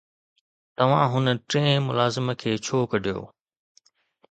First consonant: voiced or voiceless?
voiceless